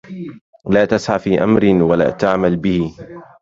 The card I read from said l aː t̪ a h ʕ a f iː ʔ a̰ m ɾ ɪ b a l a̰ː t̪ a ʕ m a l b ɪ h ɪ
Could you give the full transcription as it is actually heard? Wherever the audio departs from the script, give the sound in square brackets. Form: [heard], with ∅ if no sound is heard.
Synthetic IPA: l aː t̪ a [s] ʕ a f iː ʔ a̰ m ɾ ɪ [w] a l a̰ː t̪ a ʕ m a l b ɪ h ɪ